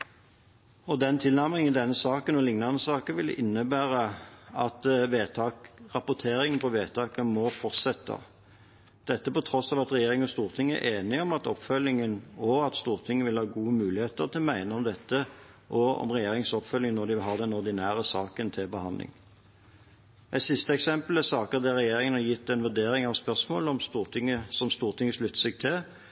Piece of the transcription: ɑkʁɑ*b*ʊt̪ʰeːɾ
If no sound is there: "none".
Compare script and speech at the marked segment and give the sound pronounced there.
p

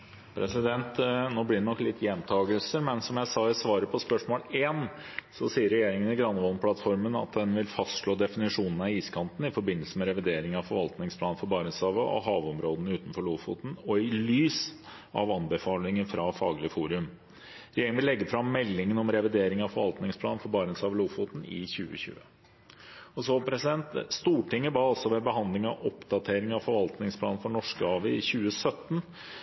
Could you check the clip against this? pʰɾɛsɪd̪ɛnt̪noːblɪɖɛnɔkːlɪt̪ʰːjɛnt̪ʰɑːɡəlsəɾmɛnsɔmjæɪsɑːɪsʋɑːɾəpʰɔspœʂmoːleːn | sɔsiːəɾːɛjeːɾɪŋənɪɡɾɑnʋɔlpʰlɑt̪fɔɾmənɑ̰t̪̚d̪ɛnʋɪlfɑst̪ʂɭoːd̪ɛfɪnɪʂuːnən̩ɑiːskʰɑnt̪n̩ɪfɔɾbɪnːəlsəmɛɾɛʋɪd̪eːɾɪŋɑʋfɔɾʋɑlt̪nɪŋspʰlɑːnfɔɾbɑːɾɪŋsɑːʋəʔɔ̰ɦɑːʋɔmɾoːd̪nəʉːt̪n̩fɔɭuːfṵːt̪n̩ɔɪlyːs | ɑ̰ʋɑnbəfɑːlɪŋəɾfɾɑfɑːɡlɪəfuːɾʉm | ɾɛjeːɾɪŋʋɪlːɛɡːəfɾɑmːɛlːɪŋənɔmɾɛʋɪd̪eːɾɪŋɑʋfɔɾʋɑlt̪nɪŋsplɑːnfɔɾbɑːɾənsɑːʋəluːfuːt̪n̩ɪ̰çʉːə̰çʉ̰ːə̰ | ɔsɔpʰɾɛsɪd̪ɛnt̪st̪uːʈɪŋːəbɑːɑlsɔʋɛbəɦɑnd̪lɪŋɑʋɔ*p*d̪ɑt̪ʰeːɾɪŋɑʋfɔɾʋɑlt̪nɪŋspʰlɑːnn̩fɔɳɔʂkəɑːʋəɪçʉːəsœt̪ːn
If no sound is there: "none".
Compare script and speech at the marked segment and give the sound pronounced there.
p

